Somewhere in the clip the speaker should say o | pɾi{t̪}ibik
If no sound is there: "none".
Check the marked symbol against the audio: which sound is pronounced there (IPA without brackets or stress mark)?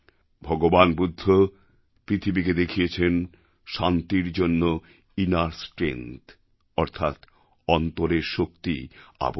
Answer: t̪ʰ